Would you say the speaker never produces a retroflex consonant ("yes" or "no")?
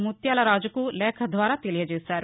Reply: yes